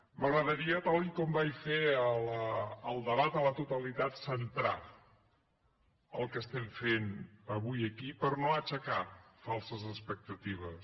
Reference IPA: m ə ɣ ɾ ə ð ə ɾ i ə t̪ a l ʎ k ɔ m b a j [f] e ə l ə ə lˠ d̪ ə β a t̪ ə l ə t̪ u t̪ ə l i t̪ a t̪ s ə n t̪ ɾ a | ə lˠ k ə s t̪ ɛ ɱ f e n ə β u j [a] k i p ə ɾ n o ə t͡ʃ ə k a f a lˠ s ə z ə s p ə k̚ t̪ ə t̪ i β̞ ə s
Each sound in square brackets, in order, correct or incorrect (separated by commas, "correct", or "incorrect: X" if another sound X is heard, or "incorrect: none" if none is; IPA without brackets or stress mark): correct, incorrect: ə